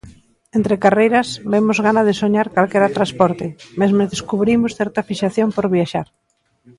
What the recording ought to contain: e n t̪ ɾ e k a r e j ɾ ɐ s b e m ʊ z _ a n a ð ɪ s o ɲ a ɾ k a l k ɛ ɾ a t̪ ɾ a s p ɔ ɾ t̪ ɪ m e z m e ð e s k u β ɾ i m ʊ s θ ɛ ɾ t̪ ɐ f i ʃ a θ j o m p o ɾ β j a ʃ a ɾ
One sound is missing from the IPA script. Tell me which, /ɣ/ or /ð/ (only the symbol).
ɣ